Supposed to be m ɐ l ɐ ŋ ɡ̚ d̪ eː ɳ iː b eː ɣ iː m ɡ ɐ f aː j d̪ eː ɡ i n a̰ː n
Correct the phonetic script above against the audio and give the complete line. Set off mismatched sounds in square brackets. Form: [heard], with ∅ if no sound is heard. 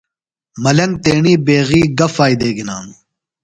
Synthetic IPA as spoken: m ɐ l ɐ ŋ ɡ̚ [t̪] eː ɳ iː b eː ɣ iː [∅] ɡ ɐ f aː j d̪ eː ɡ i n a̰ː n